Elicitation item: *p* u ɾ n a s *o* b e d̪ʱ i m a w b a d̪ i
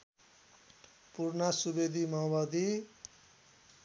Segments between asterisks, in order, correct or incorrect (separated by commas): correct, incorrect